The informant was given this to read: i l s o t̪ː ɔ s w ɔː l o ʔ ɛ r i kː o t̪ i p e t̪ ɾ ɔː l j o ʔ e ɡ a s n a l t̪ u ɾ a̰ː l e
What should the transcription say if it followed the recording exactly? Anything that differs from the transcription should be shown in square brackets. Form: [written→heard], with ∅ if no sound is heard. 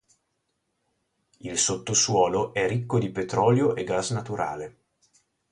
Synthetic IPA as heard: i l s o t̪ː [ɔ→o] s w ɔː l o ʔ ɛ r i kː o [t̪→d̪] i p e t̪ ɾ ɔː l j o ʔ e ɡ a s n a [l→∅] t̪ u ɾ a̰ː l e

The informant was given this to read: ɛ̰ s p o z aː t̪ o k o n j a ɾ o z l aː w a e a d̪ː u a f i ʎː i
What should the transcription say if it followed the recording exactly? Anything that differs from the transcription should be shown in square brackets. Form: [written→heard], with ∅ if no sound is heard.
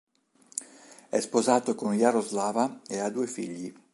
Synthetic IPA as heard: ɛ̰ s p o z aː t̪ o k o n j a ɾ o z l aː [w→v] a e a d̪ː u [a→e] f i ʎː i

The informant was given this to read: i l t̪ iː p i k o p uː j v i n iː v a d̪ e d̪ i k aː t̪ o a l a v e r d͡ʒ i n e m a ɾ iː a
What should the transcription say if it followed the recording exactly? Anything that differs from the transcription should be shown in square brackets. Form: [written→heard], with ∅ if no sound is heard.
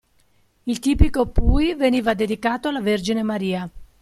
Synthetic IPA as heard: i l t̪ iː p i k o p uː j v [i→e] n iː v a d̪ e d̪ i k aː t̪ o a l a v e r d͡ʒ i n e m a ɾ iː a

